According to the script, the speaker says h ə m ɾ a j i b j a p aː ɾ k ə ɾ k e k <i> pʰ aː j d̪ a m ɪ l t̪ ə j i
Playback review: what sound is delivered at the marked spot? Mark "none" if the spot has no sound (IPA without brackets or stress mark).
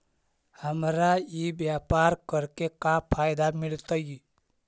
a